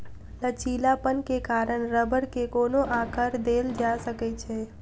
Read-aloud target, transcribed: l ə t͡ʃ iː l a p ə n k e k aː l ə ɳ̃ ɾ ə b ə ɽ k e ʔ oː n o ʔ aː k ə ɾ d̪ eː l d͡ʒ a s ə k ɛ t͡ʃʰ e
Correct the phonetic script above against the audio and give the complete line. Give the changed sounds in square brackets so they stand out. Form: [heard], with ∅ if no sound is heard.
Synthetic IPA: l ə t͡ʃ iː l a p ə n k e k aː [ɾ] ə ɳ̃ ɾ ə b ə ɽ k e [k] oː n o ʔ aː k ə ɾ d̪ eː l d͡ʒ a s ə k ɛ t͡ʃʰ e